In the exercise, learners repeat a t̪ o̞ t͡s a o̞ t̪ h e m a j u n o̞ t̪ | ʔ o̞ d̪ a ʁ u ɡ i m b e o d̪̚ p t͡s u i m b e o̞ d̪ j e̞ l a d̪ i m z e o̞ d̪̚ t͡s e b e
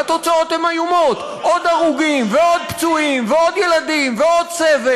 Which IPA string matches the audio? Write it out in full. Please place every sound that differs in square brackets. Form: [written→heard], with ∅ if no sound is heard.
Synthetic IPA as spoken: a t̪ o̞ t͡s a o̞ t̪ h e m a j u [n→m] o̞ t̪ | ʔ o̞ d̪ a ʁ u ɡ i m [b→v] e o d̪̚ p t͡s u i m [b→v] e o̞ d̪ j e̞ l a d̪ i m [z→v] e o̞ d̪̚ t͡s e [b→v] e